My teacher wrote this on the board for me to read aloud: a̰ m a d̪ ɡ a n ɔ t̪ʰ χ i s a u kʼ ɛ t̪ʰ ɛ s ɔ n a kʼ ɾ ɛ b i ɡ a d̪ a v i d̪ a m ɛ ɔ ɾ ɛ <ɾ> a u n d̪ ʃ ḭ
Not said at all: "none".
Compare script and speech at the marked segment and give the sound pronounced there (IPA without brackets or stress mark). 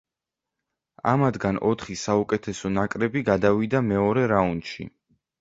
ɾ